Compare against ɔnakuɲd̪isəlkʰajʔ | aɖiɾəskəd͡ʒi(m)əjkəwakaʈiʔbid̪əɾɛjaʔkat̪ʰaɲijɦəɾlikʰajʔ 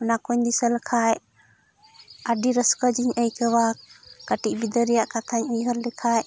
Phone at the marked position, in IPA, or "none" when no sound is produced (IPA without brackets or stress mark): ɲ